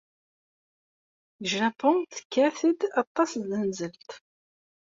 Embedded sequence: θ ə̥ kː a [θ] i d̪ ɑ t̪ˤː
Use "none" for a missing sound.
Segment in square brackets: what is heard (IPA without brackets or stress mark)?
θ